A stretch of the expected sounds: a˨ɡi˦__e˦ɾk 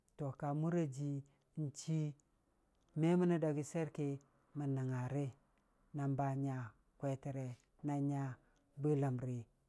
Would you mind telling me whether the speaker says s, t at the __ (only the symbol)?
s